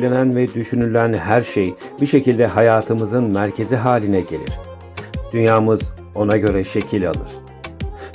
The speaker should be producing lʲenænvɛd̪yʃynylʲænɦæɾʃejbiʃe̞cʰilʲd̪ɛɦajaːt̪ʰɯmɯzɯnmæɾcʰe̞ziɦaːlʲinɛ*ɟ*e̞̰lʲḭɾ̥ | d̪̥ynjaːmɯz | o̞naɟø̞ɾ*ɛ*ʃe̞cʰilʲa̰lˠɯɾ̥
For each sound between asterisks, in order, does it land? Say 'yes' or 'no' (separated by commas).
yes, yes